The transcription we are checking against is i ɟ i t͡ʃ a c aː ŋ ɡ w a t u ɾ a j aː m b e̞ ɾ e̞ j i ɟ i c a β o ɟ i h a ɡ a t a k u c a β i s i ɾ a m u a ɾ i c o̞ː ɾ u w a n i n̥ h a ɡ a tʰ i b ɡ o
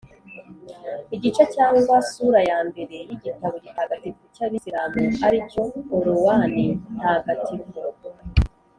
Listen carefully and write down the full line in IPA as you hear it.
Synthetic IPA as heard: i ɟ i t͡ʃ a c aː ŋ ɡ w a s u ɾ a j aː m b e̞ ɾ e̞ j i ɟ i t a β o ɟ i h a ɡ a t i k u c a β i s i ɾ a m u a ɾ i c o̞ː ɾ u w a n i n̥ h a ɡ a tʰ i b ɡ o